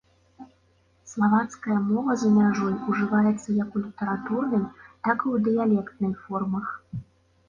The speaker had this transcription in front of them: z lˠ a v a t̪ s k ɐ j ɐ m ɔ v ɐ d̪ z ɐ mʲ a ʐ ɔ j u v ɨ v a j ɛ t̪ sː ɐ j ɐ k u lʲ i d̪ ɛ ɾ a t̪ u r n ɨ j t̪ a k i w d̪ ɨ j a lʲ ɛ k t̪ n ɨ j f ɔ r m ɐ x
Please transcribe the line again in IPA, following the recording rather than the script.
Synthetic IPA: s lˠ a v a t̪ s k ɐ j ɐ m ɔ v ɐ z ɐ mʲ a ʐ ɔ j u ʐ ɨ v a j ɛ t̪ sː ɐ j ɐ k u lʲ i t̪ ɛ ɾ a t̪ u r n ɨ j t̪ a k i w d̪ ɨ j a lʲ ɛ k t̪ n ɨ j f ɔ r m ɐ x